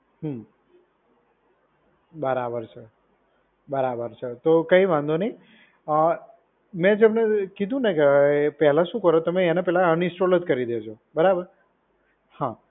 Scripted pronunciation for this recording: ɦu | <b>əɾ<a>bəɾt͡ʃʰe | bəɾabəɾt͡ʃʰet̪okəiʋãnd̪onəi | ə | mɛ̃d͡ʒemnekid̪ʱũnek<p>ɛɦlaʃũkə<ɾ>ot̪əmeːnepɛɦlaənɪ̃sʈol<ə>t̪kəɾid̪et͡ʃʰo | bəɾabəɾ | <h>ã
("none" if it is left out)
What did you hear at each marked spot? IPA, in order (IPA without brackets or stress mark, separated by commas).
b, a, p, ɾ, ə, h